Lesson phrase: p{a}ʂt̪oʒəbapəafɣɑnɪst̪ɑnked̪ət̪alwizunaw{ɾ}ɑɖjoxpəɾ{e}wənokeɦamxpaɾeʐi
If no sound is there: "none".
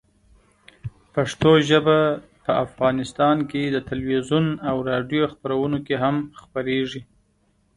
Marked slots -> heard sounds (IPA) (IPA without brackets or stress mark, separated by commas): a, ɾ, a